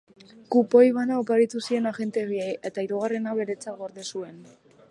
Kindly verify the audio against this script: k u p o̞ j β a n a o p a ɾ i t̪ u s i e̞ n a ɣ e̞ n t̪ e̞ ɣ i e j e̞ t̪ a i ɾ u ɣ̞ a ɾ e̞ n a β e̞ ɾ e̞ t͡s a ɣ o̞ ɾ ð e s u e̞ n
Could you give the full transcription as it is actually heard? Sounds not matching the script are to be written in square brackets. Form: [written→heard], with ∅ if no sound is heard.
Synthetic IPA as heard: k u p o̞ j β a n a o p a ɾ i t̪ u s i e̞ n a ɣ e̞ n t̪ e̞ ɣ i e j e̞ t̪ a i ɾ u ɣ̞ a [ɾ→r] e̞ n a β e̞ ɾ e̞ t͡s a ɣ o̞ ɾ ð e s u e̞ n

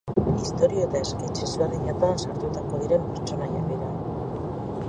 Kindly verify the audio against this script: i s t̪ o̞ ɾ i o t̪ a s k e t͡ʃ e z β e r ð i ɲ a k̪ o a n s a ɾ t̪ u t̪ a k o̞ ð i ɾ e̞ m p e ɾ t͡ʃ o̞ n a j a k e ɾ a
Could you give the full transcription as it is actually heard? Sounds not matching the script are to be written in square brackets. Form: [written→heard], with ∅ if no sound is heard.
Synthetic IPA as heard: i s t̪ o̞ ɾ i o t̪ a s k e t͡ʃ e z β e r ð i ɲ a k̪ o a n s a ɾ t̪ u t̪ a k o̞ ð i ɾ e̞ m p e ɾ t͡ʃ o̞ n a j a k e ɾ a

